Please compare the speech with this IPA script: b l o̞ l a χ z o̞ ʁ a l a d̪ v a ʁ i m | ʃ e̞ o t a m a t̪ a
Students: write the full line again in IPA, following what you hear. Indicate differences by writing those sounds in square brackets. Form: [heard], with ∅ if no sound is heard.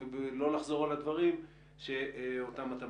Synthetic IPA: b l o̞ l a χ z o̞ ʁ a l a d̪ v a ʁ i m | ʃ e̞ o t a m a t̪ a